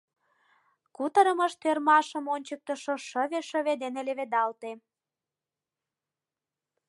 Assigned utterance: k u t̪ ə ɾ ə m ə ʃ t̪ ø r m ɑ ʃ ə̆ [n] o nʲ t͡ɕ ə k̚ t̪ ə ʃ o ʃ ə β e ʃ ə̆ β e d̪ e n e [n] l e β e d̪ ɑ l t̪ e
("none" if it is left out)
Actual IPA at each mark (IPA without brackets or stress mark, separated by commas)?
m, none